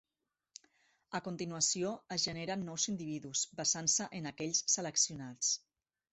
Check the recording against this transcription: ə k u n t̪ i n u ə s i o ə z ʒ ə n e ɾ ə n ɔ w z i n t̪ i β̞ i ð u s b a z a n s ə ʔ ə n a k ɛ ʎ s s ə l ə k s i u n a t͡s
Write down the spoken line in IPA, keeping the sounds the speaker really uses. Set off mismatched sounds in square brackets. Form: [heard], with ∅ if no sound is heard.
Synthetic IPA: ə k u n t̪ i n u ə s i o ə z ʒ ə n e ɾ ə [nː] ɔ w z i n [d̪] i β̞ i ð u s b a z a n s ə ʔ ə n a k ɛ ʎ s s ə l ə k s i u n a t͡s